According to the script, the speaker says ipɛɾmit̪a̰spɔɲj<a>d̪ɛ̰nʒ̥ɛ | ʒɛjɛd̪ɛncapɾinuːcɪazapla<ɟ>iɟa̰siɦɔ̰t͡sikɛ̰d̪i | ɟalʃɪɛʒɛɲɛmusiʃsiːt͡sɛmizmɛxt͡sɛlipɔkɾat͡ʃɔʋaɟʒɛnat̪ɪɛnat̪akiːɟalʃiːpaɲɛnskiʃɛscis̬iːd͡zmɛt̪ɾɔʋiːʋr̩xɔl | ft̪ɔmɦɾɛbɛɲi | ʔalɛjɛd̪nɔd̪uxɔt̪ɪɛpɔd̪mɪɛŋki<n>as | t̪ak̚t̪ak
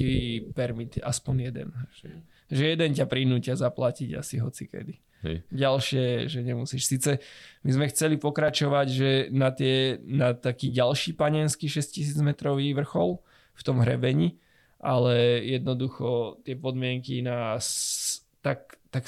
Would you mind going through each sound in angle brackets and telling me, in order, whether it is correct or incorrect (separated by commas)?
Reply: incorrect, incorrect, correct